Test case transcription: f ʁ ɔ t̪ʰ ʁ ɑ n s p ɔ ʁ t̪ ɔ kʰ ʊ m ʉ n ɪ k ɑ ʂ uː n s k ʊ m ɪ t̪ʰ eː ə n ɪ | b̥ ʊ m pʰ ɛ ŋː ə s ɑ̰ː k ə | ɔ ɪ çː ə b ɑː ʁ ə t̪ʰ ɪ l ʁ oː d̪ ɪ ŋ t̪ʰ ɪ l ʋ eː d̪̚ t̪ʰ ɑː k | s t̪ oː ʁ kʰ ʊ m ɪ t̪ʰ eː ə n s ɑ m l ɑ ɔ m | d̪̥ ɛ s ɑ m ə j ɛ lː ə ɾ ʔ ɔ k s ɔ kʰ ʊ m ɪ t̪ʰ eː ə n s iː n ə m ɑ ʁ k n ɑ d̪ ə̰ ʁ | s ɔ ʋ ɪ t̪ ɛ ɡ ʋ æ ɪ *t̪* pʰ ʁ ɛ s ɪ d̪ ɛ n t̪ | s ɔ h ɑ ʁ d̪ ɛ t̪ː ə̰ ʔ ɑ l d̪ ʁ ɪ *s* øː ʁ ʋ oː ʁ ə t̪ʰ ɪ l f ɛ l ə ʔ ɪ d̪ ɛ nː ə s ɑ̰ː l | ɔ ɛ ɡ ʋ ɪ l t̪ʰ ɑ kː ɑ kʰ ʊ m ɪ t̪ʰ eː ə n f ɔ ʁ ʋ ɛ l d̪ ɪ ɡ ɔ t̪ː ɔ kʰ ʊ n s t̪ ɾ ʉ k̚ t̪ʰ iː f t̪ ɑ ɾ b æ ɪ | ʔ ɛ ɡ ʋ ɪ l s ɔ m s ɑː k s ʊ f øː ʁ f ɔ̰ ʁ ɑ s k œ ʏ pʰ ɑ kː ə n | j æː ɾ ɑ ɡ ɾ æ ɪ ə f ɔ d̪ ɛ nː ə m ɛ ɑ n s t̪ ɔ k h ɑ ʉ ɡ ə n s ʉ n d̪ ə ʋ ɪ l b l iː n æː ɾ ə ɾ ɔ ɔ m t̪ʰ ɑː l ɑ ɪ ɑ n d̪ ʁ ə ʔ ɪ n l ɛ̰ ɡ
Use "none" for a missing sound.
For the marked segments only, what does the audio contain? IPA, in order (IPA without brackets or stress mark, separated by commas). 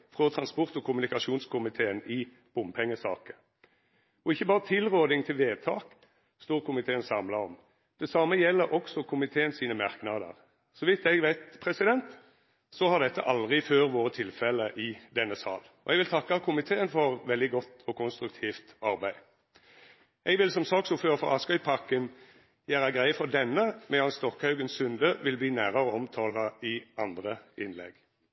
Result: t̪, f